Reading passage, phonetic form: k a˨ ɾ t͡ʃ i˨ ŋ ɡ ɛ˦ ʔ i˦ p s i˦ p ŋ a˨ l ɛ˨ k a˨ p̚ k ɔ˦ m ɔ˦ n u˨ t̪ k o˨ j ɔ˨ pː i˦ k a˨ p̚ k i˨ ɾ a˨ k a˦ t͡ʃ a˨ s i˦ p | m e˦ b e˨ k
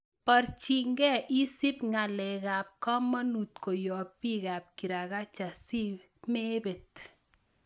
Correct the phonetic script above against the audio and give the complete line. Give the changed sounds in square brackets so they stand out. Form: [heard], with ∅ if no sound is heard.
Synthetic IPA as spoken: [p] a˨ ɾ t͡ʃ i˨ ŋ ɡ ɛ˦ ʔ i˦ [∅] s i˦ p ŋ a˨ l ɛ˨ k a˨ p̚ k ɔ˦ m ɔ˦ n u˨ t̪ k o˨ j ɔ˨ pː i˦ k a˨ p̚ k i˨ ɾ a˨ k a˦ t͡ʃ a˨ s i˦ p | m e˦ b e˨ [t]